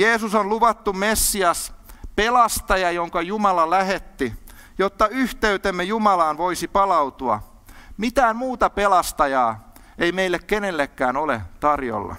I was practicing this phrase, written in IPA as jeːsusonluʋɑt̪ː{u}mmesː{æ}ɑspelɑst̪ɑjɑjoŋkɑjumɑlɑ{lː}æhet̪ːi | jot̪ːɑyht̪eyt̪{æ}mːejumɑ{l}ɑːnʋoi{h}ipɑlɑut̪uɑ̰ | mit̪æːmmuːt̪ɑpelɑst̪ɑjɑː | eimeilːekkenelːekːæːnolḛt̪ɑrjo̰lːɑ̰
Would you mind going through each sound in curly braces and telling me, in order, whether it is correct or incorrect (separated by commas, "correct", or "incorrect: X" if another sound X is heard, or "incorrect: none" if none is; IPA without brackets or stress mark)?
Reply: correct, incorrect: i, incorrect: l, incorrect: e, correct, incorrect: s